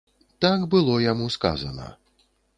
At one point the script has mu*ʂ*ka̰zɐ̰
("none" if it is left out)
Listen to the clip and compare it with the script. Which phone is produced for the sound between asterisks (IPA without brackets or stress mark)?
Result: s